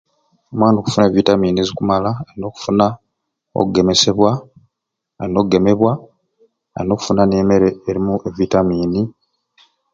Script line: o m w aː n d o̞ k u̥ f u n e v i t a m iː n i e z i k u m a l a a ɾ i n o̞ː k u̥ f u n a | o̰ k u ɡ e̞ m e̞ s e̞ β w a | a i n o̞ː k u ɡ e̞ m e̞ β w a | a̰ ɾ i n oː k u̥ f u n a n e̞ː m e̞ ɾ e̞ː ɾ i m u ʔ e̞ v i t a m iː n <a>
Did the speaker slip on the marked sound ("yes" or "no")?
yes